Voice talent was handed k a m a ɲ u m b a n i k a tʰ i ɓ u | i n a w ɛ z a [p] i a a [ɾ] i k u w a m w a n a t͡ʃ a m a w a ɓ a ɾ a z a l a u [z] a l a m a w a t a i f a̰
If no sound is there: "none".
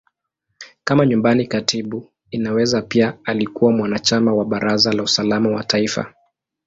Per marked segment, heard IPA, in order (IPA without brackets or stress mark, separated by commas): p, l, s